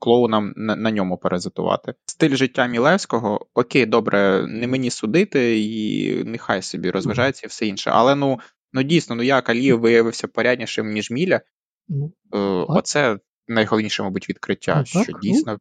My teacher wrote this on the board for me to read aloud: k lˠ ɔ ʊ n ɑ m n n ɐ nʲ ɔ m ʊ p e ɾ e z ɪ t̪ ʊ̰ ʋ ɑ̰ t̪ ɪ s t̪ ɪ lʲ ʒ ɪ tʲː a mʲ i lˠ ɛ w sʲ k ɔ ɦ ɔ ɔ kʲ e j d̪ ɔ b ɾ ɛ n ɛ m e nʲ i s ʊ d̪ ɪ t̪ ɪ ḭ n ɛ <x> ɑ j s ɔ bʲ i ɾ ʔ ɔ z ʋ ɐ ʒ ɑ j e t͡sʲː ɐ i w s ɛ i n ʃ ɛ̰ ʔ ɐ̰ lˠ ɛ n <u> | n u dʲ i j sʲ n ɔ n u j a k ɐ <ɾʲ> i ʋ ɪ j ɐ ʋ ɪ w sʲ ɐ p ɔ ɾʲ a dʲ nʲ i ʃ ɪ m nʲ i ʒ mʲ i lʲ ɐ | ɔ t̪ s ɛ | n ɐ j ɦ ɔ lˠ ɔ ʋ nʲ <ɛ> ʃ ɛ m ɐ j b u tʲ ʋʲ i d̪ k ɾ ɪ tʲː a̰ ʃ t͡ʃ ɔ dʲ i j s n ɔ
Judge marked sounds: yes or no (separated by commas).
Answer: yes, yes, no, no